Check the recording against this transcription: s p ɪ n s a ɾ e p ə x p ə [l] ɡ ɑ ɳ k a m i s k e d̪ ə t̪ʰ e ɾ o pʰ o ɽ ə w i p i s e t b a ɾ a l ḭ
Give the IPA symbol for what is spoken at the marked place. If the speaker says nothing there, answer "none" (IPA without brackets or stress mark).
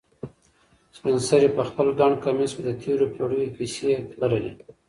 l